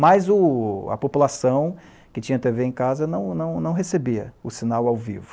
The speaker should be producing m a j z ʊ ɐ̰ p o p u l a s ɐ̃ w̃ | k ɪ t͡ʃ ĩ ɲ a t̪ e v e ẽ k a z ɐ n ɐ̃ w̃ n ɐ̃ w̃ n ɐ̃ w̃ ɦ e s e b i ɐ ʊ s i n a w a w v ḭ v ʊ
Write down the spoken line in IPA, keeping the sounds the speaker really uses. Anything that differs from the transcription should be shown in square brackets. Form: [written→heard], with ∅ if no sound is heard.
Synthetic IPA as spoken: m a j z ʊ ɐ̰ p o p u l a s ɐ̃ w̃ | k ɪ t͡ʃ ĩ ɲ [a→ɐ] t̪ e v e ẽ k a z ɐ n ɐ̃ w̃ n ɐ̃ w̃ n ɐ̃ w̃ ɦ e s e b i ɐ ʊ s i n a w a w v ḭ v ʊ